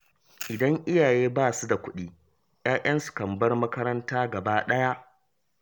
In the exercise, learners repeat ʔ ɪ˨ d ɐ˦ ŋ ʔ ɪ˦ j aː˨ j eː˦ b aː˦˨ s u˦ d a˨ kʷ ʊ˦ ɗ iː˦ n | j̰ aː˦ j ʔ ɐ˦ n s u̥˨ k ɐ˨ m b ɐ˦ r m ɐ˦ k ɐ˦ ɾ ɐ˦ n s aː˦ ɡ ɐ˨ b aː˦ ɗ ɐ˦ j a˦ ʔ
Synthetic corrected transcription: ʔ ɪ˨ d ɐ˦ ŋ ʔ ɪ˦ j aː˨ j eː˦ b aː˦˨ s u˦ d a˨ kʷ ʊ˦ ɗ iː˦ | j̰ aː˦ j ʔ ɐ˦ n s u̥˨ k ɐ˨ m b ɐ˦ r m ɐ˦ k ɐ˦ ɾ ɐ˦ n t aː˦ ɡ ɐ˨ b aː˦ ɗ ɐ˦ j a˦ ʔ